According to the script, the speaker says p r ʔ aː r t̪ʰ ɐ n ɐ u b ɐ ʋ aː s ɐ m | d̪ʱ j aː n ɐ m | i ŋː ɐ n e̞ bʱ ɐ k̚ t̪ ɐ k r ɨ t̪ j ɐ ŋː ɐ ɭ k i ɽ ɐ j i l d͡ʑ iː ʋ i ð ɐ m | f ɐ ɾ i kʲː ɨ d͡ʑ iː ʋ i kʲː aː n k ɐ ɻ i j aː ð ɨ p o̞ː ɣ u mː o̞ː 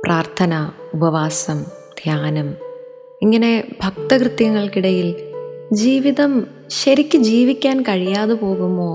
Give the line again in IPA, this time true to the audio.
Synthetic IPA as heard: p r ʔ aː r t̪ʰ ɐ n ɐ u b ɐ ʋ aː s ɐ m | d̪ʱ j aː n ɐ m | i ŋː ɐ n e̞ bʱ ɐ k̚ t̪ ɐ k r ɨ t̪ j ɐ ŋː ɐ ɭ k i ɽ ɐ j i l d͡ʑ iː ʋ i ð ɐ m | ɕ ɐ ɾ i kʲː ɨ d͡ʑ iː ʋ i kʲː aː n k ɐ ɻ i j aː ð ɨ p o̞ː ɣ u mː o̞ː